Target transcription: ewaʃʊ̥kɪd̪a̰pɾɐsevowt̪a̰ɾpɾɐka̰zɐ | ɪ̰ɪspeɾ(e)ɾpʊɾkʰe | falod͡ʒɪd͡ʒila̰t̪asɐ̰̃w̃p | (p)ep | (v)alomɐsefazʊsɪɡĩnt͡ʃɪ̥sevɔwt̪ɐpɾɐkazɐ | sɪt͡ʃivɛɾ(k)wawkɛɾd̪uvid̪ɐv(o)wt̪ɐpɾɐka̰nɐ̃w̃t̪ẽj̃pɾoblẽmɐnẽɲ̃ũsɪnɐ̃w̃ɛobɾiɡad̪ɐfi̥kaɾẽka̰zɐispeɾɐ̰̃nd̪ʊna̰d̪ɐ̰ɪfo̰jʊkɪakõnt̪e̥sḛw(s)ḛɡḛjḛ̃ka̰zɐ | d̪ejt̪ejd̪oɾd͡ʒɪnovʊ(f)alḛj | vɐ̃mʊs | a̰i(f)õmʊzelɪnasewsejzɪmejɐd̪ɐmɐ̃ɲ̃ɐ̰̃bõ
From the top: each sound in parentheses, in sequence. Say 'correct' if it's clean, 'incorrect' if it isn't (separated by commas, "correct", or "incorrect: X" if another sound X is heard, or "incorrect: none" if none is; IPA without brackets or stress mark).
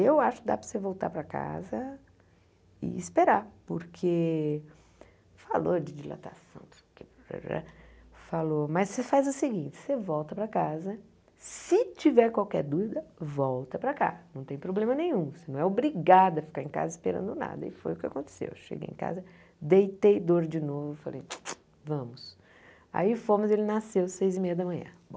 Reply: incorrect: a, incorrect: k, incorrect: f, correct, incorrect: ɔ, incorrect: ʃ, correct, correct